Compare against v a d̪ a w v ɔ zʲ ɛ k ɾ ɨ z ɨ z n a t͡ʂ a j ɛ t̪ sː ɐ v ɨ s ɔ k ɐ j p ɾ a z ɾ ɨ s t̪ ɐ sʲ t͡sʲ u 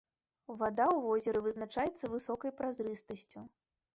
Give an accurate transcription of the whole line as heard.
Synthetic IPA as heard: v a d̪ a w v ɔ zʲ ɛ ɾ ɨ v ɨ z n a t͡ʂ a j ɛ t̪ sː ɐ v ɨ s ɔ k ɐ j p ɾ a z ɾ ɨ s t̪ ɐ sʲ t͡sʲ u